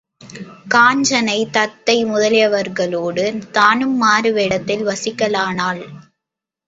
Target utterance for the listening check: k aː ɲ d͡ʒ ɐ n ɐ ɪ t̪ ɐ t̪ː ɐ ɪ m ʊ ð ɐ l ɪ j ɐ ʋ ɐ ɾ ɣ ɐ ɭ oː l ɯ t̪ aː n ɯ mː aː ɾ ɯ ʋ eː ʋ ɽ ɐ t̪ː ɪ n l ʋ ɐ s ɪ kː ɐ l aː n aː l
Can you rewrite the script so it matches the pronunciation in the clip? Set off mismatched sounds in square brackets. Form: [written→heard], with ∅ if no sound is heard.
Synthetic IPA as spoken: k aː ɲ d͡ʒ ɐ n ɐ ɪ t̪ ɐ t̪ː ɐ ɪ m ʊ ð ɐ l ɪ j ɐ ʋ ɐ ɾ ɣ ɐ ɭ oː [l→ɽ] ɯ t̪ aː n ɯ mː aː ɾ ɯ ʋ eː [ʋ→∅] ɽ ɐ t̪ː ɪ [n→∅] l ʋ ɐ s ɪ kː ɐ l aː n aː l